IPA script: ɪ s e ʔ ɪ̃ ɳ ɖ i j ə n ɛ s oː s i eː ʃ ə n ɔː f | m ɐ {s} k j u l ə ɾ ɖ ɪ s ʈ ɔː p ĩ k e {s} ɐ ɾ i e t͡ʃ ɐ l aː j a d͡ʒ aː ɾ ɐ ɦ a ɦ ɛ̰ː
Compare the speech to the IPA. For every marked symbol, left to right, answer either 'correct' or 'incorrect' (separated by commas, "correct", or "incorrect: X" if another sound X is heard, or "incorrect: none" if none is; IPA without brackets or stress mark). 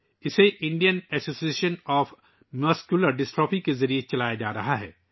correct, incorrect: z